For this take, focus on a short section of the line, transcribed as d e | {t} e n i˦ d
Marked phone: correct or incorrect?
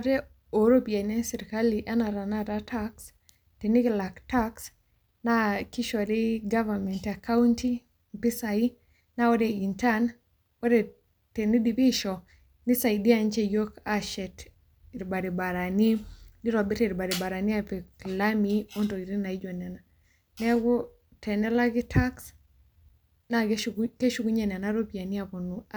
correct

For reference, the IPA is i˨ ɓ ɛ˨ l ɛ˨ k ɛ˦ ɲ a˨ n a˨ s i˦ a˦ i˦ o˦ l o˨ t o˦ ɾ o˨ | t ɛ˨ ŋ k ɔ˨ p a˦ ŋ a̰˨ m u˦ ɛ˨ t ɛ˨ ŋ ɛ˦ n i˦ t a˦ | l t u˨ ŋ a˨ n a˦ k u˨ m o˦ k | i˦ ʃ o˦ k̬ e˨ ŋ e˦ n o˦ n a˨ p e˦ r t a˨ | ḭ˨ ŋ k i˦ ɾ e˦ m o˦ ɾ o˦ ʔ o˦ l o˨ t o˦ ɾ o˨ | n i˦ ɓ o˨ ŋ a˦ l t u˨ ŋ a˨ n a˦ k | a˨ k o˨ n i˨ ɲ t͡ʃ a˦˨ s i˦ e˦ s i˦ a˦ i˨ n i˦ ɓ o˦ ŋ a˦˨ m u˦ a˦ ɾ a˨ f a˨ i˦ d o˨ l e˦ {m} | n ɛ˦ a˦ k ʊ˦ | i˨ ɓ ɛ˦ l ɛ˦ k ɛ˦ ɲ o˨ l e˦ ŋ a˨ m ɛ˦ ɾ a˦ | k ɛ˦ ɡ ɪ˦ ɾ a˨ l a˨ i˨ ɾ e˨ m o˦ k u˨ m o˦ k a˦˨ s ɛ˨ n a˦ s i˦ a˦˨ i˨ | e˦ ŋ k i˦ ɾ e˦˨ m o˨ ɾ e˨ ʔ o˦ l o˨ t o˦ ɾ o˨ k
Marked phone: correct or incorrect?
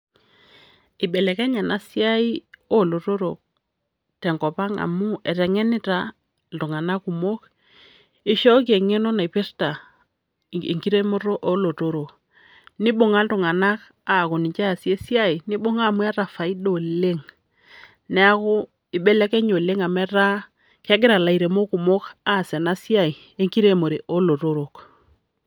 incorrect: ŋ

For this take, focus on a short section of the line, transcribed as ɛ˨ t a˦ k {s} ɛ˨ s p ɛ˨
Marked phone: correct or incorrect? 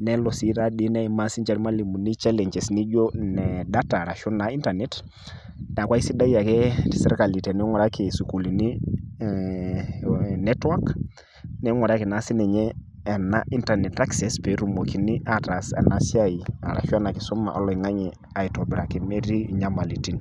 correct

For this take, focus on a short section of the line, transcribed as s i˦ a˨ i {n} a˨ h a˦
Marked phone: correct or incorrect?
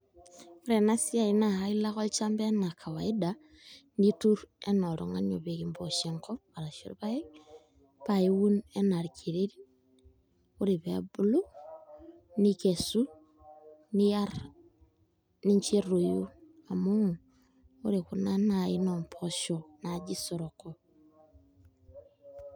correct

